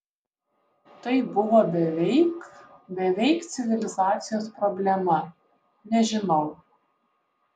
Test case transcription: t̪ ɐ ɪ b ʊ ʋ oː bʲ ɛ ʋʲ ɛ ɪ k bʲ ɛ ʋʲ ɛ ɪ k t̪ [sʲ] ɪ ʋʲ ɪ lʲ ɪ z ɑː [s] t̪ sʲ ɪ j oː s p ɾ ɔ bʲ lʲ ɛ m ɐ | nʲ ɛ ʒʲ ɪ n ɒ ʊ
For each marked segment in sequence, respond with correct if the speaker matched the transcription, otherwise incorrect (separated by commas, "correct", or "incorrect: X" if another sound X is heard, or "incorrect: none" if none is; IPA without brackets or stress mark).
correct, incorrect: none